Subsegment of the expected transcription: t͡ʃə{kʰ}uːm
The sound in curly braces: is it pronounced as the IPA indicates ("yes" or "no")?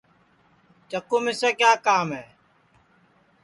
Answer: no